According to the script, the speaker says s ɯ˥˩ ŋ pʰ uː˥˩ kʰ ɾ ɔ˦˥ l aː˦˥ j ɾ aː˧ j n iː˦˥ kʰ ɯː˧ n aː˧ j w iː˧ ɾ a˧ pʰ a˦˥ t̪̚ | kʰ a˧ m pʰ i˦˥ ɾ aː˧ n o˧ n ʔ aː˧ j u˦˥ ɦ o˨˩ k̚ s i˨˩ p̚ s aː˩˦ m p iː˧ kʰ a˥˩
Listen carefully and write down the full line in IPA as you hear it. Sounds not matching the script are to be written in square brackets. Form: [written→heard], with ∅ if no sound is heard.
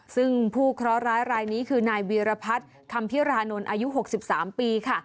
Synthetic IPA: s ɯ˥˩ ŋ pʰ uː˥˩ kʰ ɾ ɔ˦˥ [l→ɾ] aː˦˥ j ɾ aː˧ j n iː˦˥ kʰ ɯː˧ n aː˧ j w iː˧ ɾ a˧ pʰ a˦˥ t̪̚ | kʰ a˧ m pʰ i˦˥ ɾ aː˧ n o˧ n ʔ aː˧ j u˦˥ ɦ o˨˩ k̚ s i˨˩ p̚ s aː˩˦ m p iː˧ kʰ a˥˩